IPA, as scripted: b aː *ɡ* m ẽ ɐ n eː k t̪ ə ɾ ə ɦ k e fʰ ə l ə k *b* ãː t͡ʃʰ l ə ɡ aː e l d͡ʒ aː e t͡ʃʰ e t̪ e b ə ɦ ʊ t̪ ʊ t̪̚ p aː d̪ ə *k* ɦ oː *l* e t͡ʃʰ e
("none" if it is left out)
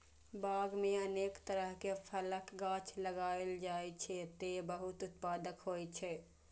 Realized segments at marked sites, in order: ɡ, ɡ, k, none

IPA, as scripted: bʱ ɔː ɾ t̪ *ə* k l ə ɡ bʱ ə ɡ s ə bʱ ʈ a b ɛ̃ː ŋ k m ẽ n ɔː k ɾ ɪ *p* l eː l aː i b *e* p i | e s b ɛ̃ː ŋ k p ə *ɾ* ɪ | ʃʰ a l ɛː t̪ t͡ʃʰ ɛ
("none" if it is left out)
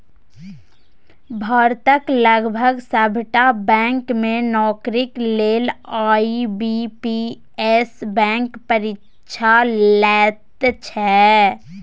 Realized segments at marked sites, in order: ə, k, i, ɾ

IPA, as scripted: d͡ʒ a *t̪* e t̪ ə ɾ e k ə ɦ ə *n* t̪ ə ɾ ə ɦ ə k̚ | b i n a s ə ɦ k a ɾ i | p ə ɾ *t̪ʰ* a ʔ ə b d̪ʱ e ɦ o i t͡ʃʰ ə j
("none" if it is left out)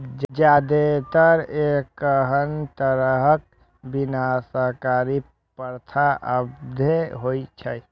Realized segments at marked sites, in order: d̪, n, t̪ʰ

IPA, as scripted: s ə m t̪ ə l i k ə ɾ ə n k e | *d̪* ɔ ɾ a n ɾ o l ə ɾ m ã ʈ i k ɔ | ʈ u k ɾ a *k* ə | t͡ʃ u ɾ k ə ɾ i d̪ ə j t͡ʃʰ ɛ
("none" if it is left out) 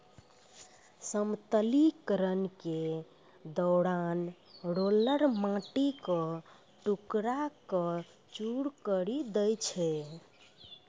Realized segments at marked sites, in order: d̪, k

